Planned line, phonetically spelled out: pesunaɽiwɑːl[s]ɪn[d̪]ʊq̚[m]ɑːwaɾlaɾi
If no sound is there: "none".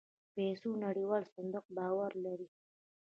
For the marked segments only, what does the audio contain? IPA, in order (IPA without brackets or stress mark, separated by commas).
s, d̪, b